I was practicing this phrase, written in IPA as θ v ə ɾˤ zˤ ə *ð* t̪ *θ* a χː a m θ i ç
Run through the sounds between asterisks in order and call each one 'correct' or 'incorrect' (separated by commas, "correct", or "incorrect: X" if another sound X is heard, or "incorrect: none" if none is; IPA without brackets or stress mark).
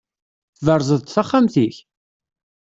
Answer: correct, correct